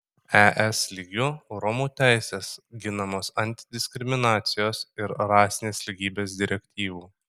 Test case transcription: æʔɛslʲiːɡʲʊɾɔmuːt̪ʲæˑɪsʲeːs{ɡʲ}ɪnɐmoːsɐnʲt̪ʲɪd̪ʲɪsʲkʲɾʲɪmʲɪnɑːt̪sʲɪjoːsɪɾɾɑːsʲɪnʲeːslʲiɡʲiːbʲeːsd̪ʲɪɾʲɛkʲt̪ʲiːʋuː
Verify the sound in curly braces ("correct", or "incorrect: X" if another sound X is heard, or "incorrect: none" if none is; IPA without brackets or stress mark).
correct